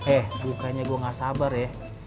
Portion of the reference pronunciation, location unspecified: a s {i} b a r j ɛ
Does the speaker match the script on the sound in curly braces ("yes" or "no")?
no